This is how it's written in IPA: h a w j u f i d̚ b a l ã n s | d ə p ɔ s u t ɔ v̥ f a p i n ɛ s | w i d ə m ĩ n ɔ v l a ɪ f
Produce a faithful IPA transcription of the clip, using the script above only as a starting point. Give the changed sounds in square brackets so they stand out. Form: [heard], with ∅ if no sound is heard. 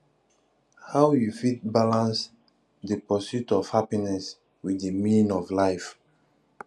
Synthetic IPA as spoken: h a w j u f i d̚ b a l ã n s | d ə p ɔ s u t ɔ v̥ [h] a p i n ɛ s | w i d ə m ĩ n ɔ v l a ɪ f